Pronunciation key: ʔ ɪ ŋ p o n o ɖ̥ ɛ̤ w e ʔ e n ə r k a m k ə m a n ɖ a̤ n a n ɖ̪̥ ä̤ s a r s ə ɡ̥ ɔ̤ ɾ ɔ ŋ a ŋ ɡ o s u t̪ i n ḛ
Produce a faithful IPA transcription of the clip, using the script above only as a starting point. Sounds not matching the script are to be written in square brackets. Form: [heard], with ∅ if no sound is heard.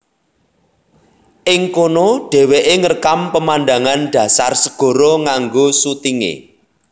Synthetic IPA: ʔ ɪ ŋ [k] o n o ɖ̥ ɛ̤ w e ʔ e [ŋ] ə r k a m [p] ə m a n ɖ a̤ [ŋ] a n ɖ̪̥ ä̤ s a r s ə ɡ̥ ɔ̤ ɾ ɔ ŋ a ŋ ɡ o s u t̪ i [ŋ] ḛ